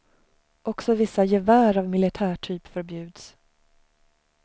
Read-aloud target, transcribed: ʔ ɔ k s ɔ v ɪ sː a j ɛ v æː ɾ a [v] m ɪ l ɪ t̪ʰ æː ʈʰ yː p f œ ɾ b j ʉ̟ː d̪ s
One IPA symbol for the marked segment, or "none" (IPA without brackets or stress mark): v